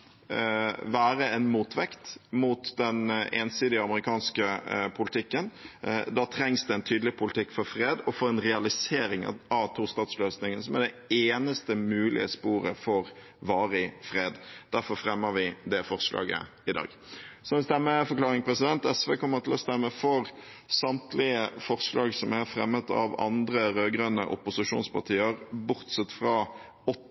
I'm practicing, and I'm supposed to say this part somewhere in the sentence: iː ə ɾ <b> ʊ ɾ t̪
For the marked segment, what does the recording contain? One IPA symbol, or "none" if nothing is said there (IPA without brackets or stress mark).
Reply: b